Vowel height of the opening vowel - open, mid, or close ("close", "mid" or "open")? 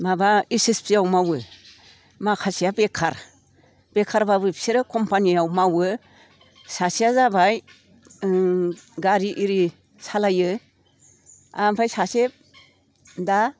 open